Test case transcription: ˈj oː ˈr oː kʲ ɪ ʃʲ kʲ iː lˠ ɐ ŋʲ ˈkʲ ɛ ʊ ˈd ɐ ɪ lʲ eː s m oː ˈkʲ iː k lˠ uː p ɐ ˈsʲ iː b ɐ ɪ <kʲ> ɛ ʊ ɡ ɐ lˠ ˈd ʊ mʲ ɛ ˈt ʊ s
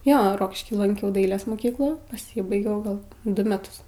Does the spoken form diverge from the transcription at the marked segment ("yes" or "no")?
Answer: yes